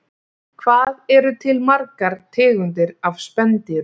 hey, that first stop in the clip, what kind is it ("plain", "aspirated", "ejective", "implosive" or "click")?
aspirated